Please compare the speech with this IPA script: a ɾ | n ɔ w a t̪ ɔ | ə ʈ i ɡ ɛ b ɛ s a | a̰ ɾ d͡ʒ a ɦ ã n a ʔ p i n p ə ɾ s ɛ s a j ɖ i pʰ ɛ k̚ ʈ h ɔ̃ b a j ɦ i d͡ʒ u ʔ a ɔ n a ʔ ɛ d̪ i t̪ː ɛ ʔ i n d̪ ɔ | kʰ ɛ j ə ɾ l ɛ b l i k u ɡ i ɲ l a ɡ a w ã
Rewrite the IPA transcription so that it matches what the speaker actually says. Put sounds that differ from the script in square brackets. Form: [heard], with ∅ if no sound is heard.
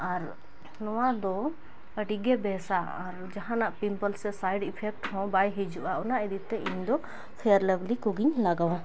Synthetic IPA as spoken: a ɾ | n ɔ w a [d̪] ɔ | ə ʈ i ɡ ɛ b ɛ s a | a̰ ɾ d͡ʒ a ɦ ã n a ʔ p i [m] p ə [l] s ɛ s a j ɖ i pʰ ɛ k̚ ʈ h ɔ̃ b a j ɦ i d͡ʒ u ʔ a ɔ n a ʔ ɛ d̪ i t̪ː ɛ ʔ i [ɲ] d̪ ɔ | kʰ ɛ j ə ɾ l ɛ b l i k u ɡ i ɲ l a ɡ a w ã